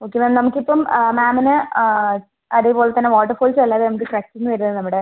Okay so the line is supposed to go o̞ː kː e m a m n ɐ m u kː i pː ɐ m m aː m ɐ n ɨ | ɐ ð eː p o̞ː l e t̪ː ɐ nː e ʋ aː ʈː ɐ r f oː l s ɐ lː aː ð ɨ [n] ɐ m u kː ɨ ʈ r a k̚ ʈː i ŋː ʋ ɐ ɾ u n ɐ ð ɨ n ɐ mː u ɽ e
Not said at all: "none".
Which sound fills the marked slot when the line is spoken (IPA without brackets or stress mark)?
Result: n